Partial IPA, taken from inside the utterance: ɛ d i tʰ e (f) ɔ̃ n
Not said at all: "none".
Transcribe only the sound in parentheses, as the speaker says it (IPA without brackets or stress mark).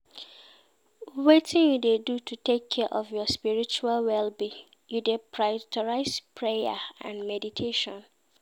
ʃ